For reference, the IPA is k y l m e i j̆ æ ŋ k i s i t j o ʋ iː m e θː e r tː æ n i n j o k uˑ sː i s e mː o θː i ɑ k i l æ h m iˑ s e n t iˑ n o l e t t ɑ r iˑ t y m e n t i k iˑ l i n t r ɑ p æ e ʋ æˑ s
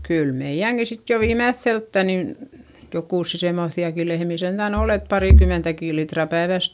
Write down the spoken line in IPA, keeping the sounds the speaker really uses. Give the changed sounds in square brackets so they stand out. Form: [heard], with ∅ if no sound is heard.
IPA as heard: k y l m e i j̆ æ ŋ k i s i t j o ʋ iː m e θː e [l] tː æ n i n j o k uˑ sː i s e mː o θː i ɑ k i l [e] h m iˑ s e n t [æˑ] n o l e t [p] ɑ r iˑ [k] y m e n t [æ] k iˑ l i [∅] t r ɑ p æ e ʋ æˑ s